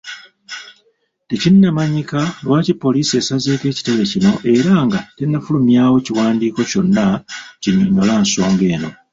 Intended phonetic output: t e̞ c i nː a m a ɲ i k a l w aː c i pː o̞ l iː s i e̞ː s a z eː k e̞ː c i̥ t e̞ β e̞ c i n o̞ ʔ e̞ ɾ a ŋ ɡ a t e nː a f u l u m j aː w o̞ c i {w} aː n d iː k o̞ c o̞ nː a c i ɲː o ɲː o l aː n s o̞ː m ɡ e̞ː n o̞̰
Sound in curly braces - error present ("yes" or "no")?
no